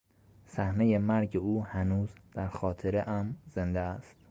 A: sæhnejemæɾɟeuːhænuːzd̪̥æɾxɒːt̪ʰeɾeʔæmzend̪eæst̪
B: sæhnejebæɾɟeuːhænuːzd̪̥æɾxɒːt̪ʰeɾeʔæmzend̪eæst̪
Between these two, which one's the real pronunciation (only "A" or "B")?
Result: A